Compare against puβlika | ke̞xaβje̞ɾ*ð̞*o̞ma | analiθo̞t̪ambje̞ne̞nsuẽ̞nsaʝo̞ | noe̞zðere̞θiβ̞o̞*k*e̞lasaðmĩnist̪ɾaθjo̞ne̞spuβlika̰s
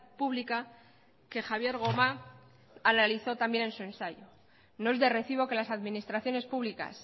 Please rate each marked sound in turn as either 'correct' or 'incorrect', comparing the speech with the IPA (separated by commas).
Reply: incorrect, correct